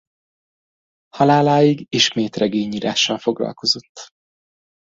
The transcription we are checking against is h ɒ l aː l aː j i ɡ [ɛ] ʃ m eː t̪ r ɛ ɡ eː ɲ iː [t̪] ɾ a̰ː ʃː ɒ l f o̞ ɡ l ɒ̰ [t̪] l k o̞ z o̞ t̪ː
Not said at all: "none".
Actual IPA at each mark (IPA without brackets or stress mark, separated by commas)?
i, none, none